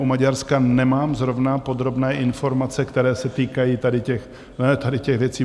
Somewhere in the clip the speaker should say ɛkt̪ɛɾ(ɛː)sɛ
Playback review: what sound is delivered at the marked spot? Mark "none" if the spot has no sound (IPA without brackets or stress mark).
ɛː